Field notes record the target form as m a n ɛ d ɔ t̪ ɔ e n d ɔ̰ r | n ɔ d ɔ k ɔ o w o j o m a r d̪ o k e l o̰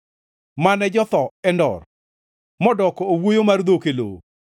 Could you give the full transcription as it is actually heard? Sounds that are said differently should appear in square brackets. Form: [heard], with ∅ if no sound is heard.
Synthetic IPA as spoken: m a n ɛ [d͡ʒ] ɔ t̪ ɔ [ɛ] n d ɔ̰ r | [m] ɔ d ɔ k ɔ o w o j o m a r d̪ o k e l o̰